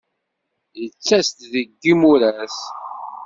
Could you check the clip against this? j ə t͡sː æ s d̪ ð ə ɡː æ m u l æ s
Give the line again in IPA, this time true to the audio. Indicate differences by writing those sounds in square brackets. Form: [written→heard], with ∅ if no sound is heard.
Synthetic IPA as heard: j ə t͡sː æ s [d̪→t̪] ð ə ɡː [æ→i] m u [l→ɾ] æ s